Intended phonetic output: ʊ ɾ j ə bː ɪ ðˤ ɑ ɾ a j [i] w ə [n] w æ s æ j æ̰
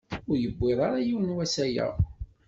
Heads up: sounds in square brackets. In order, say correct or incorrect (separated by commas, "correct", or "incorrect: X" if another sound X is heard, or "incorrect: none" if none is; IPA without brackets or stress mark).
correct, correct